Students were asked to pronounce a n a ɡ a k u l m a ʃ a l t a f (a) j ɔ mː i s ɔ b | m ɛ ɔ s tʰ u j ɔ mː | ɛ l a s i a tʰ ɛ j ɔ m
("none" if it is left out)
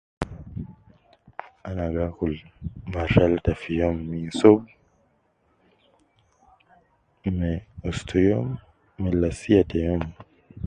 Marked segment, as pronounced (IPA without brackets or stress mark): i